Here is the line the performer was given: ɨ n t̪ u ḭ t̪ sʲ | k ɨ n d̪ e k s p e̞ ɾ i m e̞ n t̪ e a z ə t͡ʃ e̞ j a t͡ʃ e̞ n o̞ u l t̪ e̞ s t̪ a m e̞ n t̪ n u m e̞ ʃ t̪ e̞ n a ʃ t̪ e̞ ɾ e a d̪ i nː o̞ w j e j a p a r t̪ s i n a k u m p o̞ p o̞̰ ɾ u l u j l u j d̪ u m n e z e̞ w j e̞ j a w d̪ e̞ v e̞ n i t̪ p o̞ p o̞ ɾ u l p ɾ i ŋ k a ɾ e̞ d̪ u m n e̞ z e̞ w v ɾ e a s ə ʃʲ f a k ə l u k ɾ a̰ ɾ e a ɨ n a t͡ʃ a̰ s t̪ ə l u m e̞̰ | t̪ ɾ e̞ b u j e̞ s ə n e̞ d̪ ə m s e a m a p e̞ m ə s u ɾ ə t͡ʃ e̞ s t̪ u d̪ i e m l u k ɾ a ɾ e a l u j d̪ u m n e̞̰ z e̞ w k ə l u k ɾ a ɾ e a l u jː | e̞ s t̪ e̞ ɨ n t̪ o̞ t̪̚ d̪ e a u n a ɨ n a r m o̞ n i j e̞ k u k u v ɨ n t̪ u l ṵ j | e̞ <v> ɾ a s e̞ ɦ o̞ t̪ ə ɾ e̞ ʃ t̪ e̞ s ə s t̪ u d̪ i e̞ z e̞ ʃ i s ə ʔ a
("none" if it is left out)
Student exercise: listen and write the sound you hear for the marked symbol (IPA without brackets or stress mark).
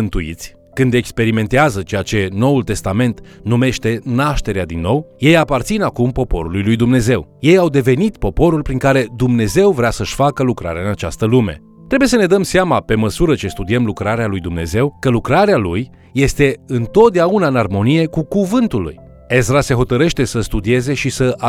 z